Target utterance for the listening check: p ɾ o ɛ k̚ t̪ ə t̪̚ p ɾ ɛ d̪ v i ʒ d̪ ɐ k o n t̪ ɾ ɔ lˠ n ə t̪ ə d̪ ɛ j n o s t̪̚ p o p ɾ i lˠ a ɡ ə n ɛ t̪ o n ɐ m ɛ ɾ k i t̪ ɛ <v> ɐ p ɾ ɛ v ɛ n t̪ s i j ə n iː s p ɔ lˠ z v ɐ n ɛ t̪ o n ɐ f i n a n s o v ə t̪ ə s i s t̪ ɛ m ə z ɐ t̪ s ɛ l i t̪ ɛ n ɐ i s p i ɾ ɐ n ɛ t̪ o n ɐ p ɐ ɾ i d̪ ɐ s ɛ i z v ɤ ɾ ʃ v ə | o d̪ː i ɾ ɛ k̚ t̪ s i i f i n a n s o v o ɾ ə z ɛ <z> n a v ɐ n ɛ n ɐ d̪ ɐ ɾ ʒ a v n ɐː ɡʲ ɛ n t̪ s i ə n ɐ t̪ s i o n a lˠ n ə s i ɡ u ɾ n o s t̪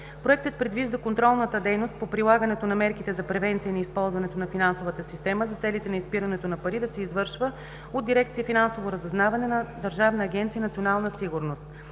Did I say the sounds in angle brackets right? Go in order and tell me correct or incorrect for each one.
incorrect, correct

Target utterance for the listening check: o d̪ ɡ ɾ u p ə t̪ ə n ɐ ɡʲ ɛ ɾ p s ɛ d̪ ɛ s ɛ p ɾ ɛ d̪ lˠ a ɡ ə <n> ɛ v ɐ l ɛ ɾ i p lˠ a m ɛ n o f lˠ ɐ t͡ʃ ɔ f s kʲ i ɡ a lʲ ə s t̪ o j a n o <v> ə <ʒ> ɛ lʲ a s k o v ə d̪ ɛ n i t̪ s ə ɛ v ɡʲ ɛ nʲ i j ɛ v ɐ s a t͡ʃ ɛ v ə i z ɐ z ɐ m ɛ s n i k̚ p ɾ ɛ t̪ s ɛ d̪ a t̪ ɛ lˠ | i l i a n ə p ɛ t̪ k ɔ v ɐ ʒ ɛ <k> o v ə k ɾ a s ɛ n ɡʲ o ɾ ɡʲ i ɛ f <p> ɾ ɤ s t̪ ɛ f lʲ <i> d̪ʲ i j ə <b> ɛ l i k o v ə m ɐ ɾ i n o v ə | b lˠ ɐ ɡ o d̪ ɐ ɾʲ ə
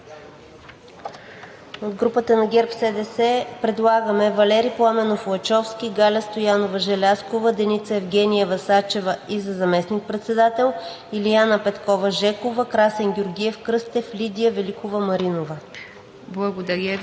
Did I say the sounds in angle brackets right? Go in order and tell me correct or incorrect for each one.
incorrect, correct, correct, correct, incorrect, correct, incorrect

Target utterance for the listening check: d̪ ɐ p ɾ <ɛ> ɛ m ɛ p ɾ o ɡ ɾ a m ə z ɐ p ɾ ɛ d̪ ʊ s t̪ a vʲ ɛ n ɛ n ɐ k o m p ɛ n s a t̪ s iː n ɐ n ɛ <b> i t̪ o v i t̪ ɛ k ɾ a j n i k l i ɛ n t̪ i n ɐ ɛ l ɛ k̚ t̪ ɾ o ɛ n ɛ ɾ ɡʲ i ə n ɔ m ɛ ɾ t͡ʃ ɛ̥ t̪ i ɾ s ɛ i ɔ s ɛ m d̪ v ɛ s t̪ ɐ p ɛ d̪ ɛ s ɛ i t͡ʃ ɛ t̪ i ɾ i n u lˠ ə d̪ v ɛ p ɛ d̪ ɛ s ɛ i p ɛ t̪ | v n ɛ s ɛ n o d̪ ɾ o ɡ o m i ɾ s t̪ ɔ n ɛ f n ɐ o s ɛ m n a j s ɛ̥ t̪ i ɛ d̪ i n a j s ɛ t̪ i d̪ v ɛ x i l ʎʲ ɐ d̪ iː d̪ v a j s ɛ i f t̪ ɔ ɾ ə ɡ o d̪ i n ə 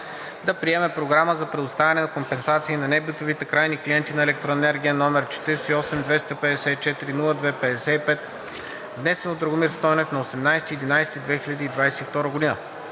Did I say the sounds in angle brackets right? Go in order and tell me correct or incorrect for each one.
incorrect, correct

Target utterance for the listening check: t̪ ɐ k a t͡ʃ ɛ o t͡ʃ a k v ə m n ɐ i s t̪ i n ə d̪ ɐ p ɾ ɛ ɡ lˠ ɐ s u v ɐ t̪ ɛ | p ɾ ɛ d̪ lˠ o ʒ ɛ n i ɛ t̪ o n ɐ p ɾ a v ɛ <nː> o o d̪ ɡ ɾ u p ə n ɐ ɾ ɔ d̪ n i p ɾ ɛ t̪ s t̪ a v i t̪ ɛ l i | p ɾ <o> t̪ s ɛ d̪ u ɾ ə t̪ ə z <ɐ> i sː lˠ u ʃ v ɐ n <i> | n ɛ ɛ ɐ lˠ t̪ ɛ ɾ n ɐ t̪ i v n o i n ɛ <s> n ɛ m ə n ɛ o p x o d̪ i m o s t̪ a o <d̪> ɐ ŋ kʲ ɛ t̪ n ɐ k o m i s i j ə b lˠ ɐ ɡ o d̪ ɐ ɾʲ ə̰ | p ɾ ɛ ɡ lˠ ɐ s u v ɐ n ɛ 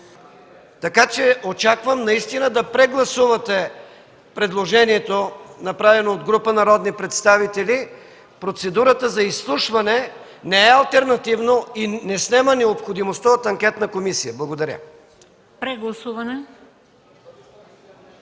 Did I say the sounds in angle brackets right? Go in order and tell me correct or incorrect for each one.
incorrect, correct, correct, incorrect, correct, incorrect

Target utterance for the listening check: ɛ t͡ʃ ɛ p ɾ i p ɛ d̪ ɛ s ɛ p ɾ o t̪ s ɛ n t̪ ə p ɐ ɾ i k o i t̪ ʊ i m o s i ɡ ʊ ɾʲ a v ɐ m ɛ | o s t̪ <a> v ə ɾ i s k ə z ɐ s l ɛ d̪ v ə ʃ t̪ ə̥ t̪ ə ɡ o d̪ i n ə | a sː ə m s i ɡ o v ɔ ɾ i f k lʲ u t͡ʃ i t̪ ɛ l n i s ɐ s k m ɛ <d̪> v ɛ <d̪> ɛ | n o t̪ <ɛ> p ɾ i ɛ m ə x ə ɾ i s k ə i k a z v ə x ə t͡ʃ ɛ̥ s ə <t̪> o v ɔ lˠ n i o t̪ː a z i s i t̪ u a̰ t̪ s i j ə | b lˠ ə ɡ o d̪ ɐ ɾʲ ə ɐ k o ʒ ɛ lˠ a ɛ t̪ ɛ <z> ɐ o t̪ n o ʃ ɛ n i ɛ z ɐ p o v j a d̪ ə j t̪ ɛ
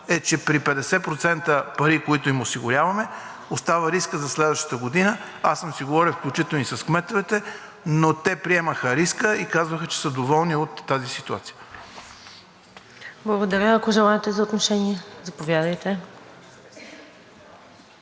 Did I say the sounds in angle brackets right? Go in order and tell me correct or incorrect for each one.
correct, incorrect, incorrect, correct, incorrect, correct

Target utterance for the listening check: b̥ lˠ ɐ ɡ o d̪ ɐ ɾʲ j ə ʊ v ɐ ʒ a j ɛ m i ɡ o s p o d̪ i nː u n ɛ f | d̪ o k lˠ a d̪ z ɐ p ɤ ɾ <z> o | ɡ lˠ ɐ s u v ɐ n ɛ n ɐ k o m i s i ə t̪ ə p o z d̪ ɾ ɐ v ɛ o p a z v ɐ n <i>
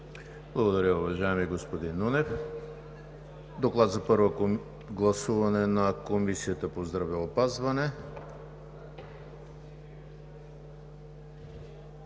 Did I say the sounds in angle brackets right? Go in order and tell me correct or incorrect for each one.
incorrect, incorrect

